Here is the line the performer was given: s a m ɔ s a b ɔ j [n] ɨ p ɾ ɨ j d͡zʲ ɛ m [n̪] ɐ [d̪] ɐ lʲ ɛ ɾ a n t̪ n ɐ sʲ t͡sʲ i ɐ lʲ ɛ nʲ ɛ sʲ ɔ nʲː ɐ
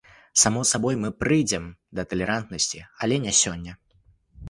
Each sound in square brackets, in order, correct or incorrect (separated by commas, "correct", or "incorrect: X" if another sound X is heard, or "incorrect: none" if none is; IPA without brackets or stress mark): incorrect: m, incorrect: d̪, incorrect: t̪